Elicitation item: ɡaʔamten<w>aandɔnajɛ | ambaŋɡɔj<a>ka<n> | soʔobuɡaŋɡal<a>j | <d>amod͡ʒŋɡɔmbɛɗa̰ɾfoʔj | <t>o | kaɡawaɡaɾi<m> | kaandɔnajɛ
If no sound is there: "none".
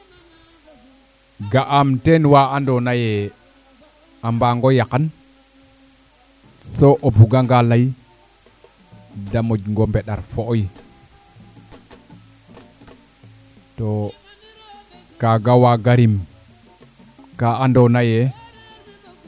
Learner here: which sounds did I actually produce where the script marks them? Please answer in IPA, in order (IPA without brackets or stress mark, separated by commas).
w, a, n, a, d, t, m